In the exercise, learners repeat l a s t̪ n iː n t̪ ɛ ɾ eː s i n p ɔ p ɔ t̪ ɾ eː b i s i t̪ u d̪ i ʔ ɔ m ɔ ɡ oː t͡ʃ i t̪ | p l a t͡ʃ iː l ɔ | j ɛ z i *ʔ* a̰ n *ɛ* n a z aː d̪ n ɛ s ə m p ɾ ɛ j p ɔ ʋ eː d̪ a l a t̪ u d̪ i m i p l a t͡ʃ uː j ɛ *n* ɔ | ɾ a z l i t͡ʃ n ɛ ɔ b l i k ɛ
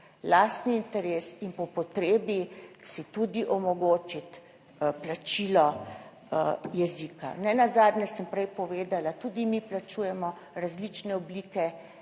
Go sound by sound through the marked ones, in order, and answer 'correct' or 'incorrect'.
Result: incorrect: k, correct, incorrect: m

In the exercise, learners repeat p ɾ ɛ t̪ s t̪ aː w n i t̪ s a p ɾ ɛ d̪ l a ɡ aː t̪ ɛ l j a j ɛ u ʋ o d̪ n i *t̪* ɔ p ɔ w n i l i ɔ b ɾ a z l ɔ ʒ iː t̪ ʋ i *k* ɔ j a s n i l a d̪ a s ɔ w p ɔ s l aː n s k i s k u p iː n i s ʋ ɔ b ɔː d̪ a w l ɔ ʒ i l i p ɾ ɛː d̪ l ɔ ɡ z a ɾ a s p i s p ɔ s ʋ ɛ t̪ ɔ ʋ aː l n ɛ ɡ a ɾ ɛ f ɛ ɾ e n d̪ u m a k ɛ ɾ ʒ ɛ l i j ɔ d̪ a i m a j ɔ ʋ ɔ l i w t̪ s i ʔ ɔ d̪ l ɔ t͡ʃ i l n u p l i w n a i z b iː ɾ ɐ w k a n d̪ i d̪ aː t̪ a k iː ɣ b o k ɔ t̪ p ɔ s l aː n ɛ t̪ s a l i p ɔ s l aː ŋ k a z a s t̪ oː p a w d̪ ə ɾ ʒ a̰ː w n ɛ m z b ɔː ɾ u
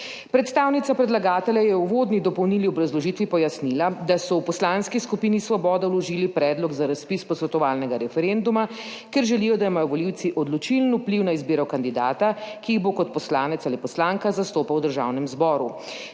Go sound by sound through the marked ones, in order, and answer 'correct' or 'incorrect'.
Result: incorrect: d̪, incorrect: p

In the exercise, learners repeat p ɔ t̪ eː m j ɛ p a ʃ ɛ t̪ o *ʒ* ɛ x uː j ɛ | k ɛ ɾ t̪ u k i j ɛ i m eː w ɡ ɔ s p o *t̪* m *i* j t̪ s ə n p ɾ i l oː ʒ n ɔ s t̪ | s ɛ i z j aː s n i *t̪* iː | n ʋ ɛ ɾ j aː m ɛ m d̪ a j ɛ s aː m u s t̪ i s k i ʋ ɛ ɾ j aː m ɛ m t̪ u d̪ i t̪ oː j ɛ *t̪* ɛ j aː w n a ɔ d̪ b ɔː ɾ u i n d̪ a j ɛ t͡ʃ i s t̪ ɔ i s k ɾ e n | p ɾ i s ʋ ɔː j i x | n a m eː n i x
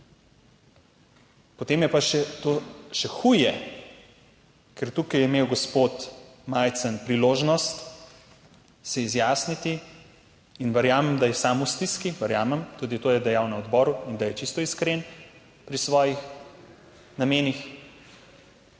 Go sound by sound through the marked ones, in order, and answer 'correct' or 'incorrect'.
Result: incorrect: ʃ, correct, incorrect: a, correct, incorrect: d̪

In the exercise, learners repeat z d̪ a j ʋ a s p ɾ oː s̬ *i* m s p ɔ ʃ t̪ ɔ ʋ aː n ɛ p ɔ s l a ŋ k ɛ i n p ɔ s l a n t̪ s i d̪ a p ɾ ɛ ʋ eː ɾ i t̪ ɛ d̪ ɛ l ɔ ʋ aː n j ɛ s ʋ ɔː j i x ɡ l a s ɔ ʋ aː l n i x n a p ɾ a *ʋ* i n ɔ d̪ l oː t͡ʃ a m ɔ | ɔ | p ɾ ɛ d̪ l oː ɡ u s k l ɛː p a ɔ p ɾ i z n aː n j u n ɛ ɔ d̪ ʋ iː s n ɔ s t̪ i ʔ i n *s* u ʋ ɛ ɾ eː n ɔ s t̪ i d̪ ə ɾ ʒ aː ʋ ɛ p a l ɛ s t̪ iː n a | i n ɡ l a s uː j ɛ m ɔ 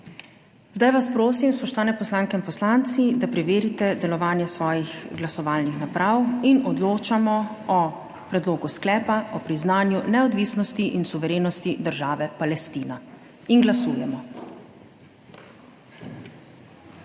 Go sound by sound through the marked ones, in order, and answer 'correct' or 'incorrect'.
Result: correct, incorrect: w, correct

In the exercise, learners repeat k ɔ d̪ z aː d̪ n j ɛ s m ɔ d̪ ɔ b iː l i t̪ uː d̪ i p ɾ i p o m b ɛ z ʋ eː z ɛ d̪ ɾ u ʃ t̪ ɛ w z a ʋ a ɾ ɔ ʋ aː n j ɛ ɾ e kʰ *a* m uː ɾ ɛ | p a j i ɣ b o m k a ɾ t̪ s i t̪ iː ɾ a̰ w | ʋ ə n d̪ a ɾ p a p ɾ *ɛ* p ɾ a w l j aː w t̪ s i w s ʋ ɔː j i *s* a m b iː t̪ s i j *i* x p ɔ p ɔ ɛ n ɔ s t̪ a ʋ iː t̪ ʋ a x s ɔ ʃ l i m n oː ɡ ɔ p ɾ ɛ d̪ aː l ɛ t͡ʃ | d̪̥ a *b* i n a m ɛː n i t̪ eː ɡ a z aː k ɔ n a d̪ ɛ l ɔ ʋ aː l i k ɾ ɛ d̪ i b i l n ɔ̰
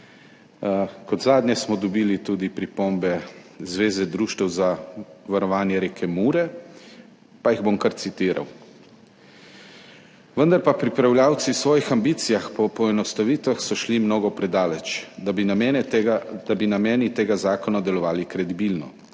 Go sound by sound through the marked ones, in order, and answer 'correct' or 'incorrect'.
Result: incorrect: ɛ, incorrect: i, incorrect: x, incorrect: a, correct

